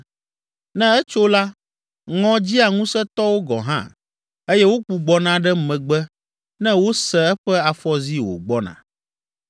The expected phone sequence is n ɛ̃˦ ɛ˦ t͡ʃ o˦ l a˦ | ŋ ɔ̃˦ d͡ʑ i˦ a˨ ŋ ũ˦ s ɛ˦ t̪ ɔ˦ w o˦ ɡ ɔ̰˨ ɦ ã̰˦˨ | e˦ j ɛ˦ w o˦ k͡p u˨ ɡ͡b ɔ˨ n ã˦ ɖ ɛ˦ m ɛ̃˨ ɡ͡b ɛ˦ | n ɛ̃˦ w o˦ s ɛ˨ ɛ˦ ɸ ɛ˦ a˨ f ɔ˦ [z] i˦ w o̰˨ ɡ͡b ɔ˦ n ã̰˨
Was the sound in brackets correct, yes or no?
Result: yes